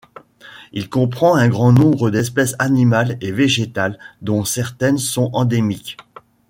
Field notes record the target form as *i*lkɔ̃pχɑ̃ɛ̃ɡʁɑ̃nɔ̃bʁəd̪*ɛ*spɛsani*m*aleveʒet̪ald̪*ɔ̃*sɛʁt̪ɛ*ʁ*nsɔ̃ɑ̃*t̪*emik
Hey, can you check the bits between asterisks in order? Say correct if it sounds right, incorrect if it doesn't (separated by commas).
correct, correct, correct, correct, incorrect, incorrect